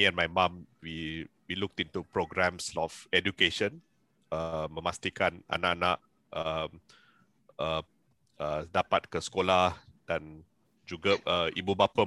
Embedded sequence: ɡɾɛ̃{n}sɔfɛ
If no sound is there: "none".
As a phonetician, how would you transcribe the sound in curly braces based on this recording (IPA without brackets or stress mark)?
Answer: m